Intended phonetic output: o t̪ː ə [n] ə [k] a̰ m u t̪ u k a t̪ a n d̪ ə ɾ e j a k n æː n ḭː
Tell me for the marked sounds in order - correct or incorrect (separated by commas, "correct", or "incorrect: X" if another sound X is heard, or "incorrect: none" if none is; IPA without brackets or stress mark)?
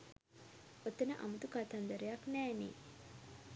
correct, incorrect: ʔ